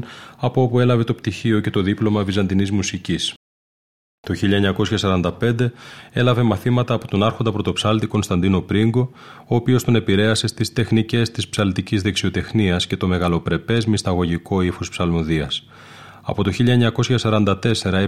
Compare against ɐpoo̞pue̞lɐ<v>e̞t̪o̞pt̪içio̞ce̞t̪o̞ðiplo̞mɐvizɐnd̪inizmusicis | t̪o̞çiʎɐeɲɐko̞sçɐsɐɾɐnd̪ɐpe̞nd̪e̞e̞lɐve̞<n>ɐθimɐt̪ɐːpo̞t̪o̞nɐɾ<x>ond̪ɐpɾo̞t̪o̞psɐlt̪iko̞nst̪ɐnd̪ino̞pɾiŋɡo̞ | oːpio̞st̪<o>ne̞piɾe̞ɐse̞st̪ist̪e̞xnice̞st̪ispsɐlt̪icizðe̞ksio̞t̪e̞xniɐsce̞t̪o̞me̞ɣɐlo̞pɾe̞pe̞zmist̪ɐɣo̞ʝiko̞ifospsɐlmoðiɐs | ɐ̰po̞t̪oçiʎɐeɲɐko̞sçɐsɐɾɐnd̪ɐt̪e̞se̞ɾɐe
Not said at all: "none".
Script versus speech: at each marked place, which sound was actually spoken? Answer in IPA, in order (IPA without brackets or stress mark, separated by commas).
v, m, x, o